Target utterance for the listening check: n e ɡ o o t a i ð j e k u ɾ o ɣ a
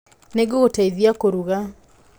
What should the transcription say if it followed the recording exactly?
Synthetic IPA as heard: n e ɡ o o t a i ð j a k o ɾ u ɣ a